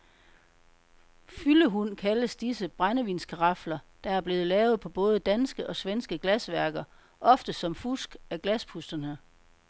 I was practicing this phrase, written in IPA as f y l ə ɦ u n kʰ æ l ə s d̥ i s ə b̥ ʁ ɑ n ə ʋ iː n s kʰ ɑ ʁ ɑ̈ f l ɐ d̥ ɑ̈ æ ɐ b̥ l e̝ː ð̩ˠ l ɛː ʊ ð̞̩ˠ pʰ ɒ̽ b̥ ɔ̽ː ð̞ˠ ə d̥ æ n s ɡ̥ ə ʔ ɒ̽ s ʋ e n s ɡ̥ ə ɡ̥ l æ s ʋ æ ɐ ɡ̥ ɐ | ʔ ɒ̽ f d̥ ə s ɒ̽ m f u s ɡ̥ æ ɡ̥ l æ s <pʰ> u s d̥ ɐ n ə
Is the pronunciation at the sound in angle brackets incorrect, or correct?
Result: correct